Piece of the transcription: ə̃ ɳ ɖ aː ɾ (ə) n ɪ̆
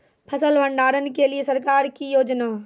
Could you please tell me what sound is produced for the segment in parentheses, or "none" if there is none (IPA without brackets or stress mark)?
ə